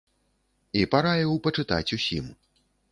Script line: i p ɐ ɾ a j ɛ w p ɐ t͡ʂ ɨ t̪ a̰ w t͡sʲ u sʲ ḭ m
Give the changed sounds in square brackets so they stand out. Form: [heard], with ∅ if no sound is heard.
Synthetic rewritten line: i p [a] ɾ a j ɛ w p ɐ t͡ʂ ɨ t̪ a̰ [∅] t͡sʲ u sʲ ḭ m